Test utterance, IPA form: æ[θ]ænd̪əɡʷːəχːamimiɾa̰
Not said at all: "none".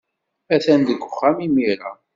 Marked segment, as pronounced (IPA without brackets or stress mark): θ